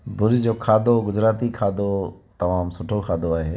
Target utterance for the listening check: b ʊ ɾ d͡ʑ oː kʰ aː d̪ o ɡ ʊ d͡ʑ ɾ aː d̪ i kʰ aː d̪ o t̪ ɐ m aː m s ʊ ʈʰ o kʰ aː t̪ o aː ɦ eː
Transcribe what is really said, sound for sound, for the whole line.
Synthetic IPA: b ʊ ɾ d͡ʑ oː kʰ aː d̪ o ɡ ʊ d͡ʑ ɾ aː t̪ i kʰ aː d̪ o t̪ ɐ m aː m s ʊ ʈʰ o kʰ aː d̪ o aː ɦ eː